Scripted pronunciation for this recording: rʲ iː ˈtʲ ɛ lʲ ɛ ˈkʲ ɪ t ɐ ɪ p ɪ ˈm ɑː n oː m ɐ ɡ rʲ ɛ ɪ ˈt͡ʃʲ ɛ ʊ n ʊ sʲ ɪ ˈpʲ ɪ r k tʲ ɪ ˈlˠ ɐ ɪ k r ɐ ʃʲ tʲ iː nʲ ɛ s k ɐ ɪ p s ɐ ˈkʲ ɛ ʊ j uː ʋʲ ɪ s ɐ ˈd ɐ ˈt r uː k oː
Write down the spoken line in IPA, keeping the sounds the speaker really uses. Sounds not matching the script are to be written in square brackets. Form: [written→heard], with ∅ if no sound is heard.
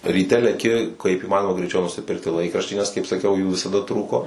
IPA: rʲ iː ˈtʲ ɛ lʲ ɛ ˈkʲ ɪ [t→k] ɐ ɪ p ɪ ˈm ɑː n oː m ɐ ɡ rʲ ɛ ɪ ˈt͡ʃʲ ɛ ʊ n ʊ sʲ ɪ ˈpʲ ɪ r k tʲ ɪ ˈlˠ ɐ ɪ k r ɐ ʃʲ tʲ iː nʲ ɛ s k ɐ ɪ p s ɐ ˈkʲ ɛ ʊ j uː ʋʲ ɪ s ɐ ˈd ɐ ˈt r uː k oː